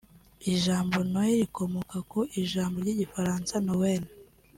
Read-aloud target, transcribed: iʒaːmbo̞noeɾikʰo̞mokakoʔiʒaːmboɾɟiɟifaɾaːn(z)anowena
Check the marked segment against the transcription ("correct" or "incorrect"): incorrect